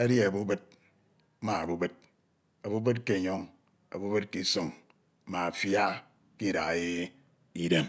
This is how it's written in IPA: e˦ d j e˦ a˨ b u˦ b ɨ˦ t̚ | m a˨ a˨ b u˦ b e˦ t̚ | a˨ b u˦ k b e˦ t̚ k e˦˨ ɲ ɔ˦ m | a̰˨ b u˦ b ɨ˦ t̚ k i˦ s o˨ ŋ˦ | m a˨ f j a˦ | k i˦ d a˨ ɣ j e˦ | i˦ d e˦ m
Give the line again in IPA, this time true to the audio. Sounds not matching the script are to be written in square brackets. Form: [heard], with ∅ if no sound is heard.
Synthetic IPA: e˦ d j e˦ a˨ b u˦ b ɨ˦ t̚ | m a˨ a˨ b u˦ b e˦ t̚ | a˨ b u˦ [∅] b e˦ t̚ k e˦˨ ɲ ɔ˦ [ŋ] | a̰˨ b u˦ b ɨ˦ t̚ k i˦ s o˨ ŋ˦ | m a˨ f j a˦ | k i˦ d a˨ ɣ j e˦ | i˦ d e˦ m